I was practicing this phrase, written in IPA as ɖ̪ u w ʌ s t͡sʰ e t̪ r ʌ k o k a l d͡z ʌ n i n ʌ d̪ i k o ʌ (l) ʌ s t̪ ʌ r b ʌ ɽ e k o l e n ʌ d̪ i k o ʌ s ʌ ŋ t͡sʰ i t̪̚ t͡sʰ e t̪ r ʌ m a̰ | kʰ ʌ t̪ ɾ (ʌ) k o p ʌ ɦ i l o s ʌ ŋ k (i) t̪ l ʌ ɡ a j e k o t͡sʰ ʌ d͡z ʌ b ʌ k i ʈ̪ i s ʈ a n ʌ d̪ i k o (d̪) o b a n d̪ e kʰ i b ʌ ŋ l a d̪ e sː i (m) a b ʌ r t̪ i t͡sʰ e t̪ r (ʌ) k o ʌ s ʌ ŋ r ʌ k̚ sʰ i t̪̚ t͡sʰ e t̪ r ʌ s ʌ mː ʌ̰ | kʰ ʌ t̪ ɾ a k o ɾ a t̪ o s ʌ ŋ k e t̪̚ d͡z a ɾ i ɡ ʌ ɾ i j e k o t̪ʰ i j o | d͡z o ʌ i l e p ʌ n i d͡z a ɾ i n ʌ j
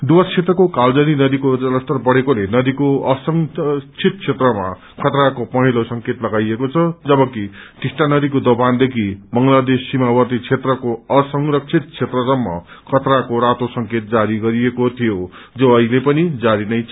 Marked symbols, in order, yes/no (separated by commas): yes, no, no, yes, yes, yes